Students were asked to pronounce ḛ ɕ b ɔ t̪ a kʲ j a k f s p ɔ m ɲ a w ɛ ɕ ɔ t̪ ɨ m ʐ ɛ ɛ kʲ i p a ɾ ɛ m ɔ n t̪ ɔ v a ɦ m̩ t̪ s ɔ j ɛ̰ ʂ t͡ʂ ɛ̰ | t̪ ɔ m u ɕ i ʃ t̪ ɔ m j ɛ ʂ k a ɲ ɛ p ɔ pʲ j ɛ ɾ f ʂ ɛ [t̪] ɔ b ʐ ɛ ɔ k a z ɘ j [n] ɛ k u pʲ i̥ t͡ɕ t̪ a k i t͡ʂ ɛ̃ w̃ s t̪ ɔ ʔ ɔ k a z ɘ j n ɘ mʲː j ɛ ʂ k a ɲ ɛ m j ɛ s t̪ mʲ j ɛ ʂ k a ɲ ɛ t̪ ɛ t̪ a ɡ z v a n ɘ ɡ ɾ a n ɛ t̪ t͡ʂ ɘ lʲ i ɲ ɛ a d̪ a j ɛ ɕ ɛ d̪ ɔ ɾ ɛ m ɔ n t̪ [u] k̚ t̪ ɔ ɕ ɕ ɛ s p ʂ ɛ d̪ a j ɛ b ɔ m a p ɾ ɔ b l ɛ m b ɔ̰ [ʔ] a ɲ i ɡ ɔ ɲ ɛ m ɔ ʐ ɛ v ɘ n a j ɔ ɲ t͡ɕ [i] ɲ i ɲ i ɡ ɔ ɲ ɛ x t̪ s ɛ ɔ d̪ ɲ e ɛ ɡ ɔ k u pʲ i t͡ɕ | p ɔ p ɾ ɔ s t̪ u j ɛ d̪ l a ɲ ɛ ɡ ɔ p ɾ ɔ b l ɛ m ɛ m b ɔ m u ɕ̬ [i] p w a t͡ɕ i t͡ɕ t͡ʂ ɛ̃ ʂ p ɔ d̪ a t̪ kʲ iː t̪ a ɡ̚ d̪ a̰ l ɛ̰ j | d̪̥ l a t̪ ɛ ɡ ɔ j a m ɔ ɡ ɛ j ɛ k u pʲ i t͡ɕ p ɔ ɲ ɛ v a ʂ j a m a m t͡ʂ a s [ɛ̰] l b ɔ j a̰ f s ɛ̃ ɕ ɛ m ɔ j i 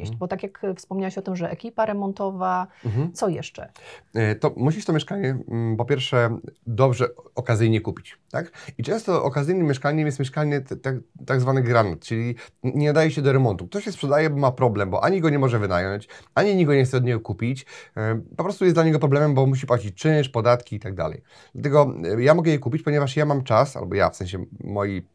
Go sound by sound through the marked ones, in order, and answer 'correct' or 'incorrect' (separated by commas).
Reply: incorrect, incorrect, correct, correct, incorrect, correct, incorrect